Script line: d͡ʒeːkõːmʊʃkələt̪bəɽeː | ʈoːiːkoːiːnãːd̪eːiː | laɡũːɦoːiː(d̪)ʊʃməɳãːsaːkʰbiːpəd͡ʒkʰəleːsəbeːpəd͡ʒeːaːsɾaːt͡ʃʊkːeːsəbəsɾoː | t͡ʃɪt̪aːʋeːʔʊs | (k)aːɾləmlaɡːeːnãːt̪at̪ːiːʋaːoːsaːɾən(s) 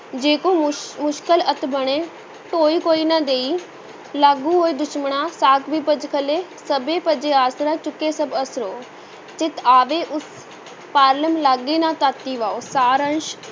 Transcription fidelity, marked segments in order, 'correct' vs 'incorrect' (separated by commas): correct, incorrect, incorrect